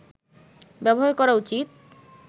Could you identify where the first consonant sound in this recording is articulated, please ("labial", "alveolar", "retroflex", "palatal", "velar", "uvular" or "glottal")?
labial